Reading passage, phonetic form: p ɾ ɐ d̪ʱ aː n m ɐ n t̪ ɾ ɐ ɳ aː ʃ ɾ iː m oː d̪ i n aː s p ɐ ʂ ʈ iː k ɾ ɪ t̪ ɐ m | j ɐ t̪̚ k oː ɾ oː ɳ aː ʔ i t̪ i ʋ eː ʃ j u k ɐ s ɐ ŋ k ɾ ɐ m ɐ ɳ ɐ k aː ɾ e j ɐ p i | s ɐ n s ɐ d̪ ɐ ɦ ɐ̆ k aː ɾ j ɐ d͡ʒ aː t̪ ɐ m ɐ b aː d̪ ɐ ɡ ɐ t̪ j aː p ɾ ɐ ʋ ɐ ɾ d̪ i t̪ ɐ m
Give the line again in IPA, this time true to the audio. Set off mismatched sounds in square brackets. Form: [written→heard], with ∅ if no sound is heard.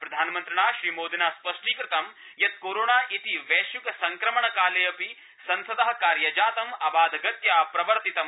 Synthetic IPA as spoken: p ɾ ɐ d̪ʱ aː n m ɐ n t̪ ɾ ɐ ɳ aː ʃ ɾ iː m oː d̪ i n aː s p ɐ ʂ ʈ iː k ɾ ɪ t̪ ɐ m | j ɐ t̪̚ k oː ɾ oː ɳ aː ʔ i t̪ i ʋ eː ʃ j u k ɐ s ɐ ŋ k ɾ ɐ m ɐ ɳ ɐ k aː [ɾ→l] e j ɐ p i | s ɐ n s ɐ d̪ ɐ ɦ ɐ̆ k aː ɾ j ɐ d͡ʒ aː t̪ ɐ m ɐ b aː d̪ ɐ ɡ ɐ t̪ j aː p ɾ ɐ ʋ ɐ ɾ [d̪→t̪] i t̪ ɐ m